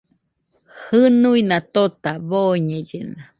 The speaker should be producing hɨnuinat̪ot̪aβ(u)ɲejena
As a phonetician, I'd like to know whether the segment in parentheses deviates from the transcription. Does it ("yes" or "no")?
yes